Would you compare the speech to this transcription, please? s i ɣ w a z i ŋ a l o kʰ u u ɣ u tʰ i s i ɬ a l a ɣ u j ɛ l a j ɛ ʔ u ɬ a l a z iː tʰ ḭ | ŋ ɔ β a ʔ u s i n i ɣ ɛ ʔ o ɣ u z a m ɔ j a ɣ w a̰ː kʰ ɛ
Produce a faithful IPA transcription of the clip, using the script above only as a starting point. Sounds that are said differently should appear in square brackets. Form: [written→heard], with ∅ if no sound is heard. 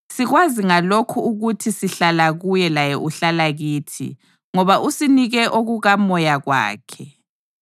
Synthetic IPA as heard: s i ɣ w a z i ŋ a l o kʰ u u ɣ u tʰ i s i ɬ a l a ɣ u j ɛ l a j ɛ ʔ u ɬ a l a [z→ɣ] iː tʰ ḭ | ŋ ɔ β a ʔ u s i n i ɣ ɛ ʔ o ɣ u [z→ɣ] a m ɔ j a ɣ w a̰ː kʰ ɛ